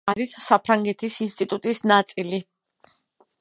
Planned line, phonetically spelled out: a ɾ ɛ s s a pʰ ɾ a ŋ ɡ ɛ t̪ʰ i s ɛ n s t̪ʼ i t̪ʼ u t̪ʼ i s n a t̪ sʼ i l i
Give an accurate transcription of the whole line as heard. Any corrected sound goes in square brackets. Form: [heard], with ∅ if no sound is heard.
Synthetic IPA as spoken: a ɾ [i] s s a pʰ ɾ a ŋ ɡ ɛ t̪ʰ i s [i] n s t̪ʼ i t̪ʼ u t̪ʼ i s n a t̪ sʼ i l i